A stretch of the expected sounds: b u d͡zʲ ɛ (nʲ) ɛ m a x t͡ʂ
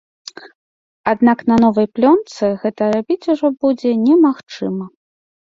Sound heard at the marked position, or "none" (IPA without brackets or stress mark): nʲ